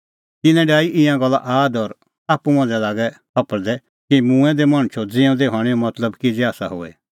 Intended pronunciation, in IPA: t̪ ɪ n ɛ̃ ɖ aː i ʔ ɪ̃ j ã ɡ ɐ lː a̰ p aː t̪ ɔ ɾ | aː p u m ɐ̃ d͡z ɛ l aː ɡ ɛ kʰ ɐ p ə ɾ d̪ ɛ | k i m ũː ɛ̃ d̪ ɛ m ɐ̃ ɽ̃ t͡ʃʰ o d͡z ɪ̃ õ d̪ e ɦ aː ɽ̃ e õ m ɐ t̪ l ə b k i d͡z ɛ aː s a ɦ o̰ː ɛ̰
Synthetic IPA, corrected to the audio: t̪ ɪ n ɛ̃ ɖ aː i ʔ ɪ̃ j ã ɡ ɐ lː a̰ ʔ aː d̪ ɔ ɾ | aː p u m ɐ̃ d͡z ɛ l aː ɡ ɛ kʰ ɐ p ə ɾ d̪ ɛ | k i m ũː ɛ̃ d̪ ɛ m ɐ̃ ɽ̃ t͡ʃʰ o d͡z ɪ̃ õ d̪ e ɦ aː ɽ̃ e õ m ɐ t̪ l ə b k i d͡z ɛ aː s a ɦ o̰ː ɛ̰